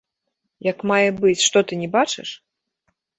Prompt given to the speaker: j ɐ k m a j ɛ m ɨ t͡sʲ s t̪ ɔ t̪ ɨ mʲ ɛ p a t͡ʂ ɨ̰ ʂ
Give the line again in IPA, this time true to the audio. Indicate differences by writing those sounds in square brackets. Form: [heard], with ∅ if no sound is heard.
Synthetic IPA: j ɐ k m a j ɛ [b] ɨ t͡sʲ [ʂ] t̪ ɔ t̪ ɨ [nʲ] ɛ [b] a t͡ʂ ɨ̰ ʂ